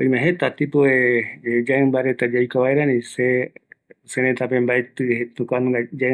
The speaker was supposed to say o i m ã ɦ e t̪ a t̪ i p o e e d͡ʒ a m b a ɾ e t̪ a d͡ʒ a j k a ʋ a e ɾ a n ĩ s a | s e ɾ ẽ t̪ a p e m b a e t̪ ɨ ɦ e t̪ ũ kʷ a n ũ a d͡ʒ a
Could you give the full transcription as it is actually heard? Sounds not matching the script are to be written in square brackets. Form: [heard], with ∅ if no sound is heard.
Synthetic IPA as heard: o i m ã ɦ e t̪ a t̪ i p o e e d͡ʒ a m b a ɾ e t̪ a d͡ʒ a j k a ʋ a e ɾ a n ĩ s [e] | s e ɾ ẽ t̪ a p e m b a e t̪ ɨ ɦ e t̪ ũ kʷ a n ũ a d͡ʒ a